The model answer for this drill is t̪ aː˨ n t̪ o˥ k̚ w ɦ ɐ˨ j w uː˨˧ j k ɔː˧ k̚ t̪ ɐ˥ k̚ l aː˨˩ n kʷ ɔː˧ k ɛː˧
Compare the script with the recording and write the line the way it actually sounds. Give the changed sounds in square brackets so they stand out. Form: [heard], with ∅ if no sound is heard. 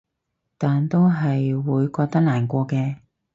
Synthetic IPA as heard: t̪ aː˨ n t̪ o˥ [∅] w ɦ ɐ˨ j w uː˨˧ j k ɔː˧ k̚ t̪ ɐ˥ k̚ l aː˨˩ n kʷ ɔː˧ k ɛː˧